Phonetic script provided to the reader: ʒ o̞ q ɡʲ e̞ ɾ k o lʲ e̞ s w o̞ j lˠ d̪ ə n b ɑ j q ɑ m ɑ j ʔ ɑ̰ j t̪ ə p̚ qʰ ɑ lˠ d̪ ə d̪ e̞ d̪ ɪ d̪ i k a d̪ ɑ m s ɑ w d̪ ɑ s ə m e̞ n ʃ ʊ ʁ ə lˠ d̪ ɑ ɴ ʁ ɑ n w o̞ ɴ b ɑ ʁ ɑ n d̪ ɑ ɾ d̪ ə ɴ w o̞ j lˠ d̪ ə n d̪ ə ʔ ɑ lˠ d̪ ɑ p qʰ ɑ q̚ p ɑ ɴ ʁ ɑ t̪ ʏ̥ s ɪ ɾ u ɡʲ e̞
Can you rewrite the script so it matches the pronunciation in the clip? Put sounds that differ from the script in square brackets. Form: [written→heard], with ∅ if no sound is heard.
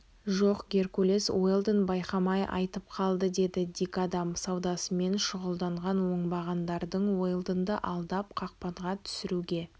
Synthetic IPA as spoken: ʒ o̞ q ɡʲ e̞ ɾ k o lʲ e̞ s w o̞ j lˠ d̪ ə n b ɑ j q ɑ m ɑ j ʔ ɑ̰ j t̪ ə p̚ qʰ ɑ lˠ d̪ ə d̪ e̞ d̪ ɪ d̪ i k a d̪ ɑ m s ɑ w d̪ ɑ s ə m e̞ n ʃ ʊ ʁ ə lˠ d̪ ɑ ɴ ʁ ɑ n w o̞ ɴ b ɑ ʁ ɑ n d̪ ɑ ɾ d̪ ə ɴ w o̞ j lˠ d̪ ə n d̪ ə ʔ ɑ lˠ d̪ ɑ p qʰ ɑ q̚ p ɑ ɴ ʁ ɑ [t̪→t̪ʰ] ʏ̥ s ɪ ɾ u ɡʲ e̞